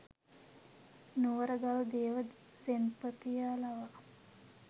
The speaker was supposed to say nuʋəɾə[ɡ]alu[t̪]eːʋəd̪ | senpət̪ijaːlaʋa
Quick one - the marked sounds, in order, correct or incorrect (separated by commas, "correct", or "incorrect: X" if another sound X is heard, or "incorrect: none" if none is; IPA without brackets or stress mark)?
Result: correct, incorrect: d̪